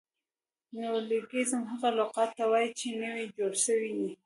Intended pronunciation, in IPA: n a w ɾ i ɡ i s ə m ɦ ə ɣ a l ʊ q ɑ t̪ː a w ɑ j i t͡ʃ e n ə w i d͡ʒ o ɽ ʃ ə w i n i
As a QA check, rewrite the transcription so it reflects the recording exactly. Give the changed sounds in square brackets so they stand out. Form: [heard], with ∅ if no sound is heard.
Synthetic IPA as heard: n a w [l] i ɡ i [z] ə m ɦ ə ɣ a l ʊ q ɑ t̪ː a w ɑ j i t͡ʃ e n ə w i d͡ʒ o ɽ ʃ ə w i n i